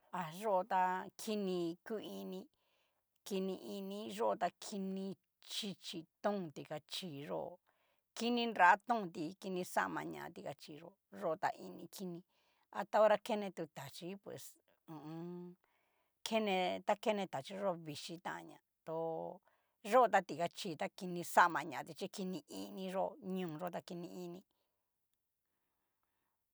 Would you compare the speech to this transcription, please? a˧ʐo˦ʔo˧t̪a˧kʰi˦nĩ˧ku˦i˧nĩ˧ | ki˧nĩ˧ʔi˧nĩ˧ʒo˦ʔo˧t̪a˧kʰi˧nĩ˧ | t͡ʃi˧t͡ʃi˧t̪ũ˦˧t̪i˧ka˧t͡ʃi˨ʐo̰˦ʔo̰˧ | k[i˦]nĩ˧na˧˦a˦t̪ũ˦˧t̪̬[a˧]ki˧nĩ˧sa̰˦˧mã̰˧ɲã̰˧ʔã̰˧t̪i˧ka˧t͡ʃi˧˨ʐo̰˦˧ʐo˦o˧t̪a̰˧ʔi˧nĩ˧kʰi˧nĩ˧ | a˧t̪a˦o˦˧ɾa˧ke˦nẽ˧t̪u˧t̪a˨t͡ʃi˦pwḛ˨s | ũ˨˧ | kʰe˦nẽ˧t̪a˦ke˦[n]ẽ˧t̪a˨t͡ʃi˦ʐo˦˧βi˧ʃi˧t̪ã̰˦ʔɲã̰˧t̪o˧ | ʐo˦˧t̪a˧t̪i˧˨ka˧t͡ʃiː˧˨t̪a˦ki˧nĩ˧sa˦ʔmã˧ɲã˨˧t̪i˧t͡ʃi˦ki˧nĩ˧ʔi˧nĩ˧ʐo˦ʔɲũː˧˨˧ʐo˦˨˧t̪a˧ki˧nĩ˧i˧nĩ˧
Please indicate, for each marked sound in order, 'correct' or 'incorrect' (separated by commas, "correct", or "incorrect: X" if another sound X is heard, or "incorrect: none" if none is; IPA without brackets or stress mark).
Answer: correct, incorrect: i˧, correct